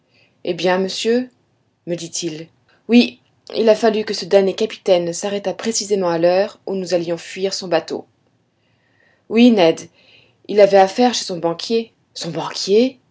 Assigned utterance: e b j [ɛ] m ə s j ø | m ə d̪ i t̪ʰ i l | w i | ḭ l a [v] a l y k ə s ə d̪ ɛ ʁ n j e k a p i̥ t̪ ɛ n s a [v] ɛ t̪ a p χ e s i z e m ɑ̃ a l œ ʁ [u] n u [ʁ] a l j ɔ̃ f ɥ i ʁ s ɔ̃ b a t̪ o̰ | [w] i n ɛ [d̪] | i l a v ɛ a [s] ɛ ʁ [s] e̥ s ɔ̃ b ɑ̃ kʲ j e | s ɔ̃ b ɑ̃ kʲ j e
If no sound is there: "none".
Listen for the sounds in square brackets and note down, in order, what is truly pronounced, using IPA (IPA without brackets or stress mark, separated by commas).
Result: ɛ̃, f, ʁ, u, z, w, d̪, f, ʃ